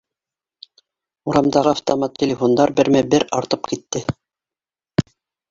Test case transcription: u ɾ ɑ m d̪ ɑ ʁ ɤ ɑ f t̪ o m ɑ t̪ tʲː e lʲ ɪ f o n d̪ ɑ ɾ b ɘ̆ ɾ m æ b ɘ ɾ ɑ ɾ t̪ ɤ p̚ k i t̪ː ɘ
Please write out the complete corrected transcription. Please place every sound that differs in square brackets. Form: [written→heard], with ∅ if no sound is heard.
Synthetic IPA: u ɾ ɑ m d̪ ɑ ʁ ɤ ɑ f t̪ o m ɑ t̪ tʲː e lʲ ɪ f o n d̪ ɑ ɾ b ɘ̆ ɾ m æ b ɘ ɾ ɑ ɾ t̪ ɤ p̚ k i t̪ː ɘ